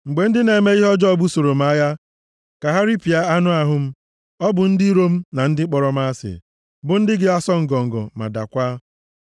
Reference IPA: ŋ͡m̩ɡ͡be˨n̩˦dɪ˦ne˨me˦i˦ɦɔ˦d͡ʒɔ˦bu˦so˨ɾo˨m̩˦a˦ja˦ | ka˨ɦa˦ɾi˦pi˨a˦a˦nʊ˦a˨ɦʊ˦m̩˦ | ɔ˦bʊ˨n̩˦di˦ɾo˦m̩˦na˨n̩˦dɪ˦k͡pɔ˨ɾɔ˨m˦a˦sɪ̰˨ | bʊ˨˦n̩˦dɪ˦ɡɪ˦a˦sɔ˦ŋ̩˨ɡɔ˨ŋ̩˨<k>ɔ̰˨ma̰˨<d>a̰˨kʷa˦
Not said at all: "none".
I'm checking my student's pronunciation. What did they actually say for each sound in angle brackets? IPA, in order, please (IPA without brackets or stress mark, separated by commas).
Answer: ɡ, d